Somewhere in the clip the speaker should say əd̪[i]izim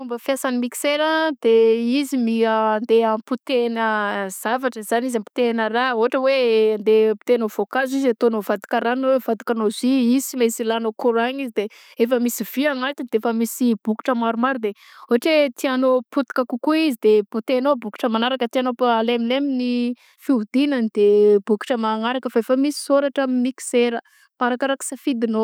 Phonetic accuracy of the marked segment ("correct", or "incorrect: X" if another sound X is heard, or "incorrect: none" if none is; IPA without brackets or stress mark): incorrect: e